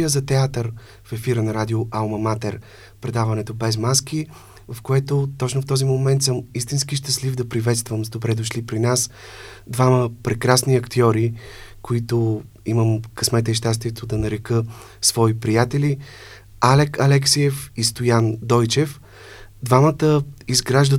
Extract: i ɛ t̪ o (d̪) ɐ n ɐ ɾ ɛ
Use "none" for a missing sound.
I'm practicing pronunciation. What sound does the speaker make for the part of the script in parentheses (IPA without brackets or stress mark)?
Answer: d̪